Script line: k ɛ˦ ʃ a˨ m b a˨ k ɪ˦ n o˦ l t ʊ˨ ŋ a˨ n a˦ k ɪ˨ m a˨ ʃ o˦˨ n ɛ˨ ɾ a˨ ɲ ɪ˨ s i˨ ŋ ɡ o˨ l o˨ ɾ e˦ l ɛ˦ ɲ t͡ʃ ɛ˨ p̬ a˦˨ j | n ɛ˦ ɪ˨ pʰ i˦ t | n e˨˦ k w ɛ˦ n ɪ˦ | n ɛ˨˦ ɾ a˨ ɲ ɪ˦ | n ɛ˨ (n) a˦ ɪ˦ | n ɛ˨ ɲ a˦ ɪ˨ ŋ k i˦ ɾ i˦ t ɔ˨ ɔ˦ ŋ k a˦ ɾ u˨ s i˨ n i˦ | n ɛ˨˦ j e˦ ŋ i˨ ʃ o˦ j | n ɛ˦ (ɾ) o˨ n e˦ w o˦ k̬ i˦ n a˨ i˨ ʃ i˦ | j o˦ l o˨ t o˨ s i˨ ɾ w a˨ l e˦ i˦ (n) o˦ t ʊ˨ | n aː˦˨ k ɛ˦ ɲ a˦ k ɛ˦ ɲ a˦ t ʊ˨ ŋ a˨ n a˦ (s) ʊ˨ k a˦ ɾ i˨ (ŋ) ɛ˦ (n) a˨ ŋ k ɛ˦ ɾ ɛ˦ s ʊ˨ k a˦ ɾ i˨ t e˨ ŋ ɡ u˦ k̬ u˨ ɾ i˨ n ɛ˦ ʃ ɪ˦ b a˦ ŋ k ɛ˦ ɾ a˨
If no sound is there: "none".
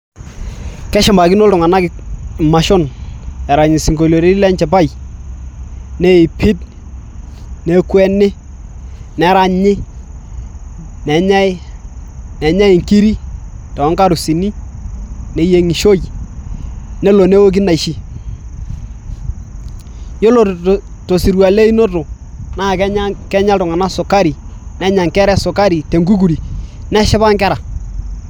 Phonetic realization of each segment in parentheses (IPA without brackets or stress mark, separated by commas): ɲ, l, n, s, n, ɲ